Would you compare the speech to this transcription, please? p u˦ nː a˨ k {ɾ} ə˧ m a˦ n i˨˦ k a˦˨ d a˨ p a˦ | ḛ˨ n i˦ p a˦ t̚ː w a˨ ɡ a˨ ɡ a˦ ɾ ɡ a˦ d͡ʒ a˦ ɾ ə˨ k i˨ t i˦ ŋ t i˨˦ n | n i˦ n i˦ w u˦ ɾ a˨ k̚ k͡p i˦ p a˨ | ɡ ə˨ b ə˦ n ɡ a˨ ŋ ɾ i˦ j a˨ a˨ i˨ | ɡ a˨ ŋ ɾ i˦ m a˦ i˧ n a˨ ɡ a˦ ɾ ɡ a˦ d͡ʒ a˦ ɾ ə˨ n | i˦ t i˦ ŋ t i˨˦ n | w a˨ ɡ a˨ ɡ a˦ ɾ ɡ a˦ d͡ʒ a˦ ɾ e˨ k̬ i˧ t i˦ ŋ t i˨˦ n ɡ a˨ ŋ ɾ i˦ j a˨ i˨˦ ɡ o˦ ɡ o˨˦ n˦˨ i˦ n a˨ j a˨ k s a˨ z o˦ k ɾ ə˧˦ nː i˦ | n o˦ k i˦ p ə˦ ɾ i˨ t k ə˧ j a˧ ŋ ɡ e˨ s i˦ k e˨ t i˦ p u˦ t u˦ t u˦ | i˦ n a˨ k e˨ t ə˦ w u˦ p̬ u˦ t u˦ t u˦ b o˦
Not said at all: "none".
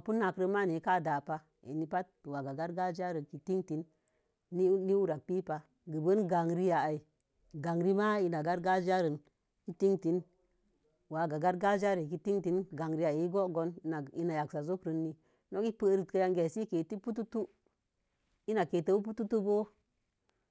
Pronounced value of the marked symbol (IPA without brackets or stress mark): ɾ